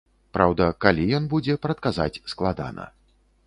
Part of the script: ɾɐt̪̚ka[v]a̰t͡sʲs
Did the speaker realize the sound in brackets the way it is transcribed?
no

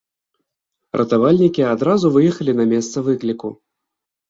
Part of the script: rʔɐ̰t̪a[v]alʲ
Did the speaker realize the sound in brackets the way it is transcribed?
yes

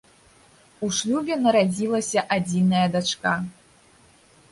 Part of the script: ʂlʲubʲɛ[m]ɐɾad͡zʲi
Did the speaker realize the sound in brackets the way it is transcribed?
no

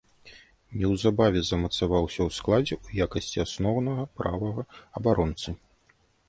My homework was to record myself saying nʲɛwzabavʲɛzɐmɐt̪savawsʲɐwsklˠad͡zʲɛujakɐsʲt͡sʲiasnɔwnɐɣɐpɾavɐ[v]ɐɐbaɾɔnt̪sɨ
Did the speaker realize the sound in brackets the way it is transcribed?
no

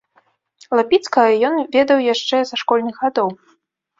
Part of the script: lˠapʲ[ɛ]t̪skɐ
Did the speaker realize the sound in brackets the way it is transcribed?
no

